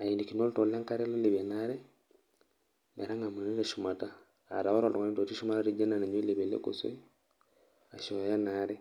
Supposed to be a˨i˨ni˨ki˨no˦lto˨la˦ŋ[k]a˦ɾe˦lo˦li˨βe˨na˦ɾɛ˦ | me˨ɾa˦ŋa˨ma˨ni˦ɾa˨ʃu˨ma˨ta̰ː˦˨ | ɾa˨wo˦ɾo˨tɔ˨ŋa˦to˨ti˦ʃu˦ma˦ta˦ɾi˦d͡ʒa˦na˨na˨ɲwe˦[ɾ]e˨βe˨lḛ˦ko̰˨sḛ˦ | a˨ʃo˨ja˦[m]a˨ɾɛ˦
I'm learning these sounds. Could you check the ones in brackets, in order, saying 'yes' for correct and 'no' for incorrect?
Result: yes, no, no

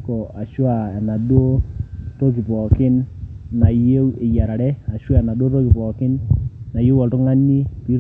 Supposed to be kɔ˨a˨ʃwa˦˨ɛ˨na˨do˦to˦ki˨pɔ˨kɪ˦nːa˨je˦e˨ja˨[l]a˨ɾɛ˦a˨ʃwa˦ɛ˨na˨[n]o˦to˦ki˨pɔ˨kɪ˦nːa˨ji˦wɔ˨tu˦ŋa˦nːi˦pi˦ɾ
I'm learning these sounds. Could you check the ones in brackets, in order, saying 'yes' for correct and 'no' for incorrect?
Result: no, no

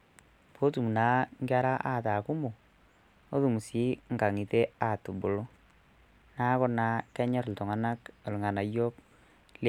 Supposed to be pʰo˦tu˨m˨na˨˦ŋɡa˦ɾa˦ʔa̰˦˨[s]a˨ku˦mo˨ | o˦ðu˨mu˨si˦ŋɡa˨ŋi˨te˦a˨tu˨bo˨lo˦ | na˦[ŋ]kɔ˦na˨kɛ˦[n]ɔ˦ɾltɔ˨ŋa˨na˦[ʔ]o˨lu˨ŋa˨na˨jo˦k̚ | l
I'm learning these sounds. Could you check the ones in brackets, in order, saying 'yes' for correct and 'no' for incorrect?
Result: no, no, no, no

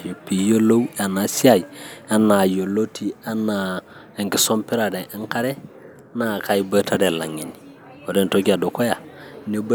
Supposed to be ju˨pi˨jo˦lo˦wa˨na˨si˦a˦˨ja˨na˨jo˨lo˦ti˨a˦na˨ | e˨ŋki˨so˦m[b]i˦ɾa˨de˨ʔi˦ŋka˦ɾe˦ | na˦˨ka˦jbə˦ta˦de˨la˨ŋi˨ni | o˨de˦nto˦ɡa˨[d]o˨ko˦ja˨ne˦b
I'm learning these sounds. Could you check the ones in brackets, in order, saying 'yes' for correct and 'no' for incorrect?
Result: no, yes

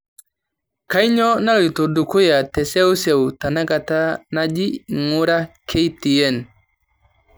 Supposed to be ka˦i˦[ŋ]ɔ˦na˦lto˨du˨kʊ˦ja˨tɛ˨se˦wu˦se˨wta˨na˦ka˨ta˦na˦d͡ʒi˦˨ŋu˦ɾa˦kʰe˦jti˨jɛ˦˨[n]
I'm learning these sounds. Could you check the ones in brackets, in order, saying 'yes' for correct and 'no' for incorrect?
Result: no, yes

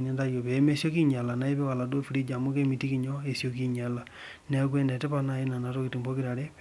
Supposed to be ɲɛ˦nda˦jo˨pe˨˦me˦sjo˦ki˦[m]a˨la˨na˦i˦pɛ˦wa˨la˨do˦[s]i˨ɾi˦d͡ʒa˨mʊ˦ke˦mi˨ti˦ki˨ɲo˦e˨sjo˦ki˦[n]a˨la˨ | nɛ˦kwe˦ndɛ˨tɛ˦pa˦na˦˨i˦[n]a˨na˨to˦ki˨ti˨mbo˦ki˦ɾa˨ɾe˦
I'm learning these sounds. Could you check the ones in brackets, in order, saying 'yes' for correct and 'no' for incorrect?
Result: no, no, no, yes

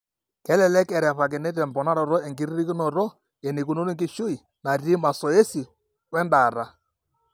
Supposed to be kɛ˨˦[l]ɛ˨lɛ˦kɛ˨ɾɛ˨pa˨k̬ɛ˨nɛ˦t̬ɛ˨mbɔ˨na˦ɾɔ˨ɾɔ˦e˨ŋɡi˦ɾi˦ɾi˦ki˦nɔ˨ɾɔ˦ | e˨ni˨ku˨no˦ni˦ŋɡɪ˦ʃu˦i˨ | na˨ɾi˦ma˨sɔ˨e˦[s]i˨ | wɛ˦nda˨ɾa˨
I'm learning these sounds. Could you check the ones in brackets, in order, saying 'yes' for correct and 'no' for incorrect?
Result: yes, yes

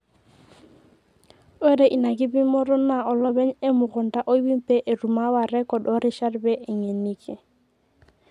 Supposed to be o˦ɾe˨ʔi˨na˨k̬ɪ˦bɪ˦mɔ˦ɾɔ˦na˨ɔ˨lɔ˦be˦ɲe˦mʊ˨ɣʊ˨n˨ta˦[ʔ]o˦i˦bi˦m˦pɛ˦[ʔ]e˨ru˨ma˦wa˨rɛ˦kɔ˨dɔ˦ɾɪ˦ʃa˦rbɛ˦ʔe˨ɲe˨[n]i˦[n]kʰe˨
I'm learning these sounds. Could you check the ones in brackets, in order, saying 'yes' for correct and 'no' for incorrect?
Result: yes, yes, yes, no

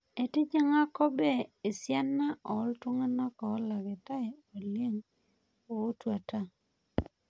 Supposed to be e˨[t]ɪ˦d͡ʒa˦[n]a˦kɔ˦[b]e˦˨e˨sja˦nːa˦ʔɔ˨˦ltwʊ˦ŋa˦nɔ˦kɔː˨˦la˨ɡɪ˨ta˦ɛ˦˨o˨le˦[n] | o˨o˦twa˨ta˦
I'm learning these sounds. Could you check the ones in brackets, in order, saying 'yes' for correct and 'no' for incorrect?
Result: yes, no, yes, no

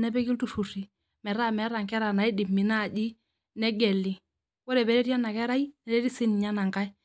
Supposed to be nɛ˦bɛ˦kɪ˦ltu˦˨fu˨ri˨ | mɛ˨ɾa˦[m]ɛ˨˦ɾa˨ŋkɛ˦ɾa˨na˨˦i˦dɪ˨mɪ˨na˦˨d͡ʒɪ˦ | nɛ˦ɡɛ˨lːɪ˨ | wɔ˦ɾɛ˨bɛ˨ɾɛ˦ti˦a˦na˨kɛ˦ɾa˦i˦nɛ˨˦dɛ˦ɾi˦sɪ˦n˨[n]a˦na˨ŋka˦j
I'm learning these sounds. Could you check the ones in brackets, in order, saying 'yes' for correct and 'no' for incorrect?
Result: yes, no

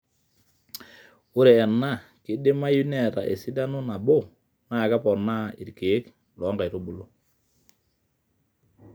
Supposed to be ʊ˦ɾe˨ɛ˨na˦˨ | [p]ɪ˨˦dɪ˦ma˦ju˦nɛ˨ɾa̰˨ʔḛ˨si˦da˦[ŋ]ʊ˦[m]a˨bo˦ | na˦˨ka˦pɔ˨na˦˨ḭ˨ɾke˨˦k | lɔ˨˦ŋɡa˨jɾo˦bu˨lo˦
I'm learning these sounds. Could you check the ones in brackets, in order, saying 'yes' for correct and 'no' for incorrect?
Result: no, no, no

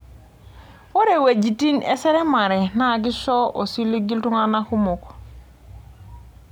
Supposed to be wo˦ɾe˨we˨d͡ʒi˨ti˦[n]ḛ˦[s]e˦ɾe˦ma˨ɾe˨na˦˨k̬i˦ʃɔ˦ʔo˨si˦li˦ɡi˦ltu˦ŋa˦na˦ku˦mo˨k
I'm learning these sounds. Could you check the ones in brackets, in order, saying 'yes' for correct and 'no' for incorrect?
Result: yes, yes

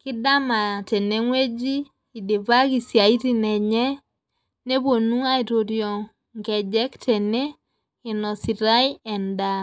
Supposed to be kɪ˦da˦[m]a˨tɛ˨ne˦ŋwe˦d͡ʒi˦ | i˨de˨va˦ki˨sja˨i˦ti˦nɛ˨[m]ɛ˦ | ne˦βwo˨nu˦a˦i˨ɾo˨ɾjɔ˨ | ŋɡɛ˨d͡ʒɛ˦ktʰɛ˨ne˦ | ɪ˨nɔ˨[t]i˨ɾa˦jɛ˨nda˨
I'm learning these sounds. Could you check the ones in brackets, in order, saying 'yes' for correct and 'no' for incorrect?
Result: yes, no, no

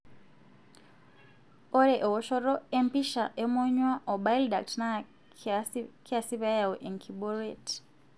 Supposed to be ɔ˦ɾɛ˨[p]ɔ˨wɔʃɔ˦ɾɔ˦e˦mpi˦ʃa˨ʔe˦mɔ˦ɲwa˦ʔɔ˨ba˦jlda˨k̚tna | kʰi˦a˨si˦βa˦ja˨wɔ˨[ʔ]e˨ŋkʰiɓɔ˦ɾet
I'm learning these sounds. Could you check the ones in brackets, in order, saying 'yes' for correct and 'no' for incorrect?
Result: no, yes

